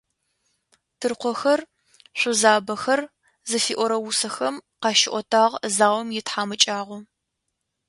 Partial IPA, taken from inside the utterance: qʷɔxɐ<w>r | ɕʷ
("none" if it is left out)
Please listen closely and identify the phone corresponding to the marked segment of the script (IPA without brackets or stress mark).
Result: none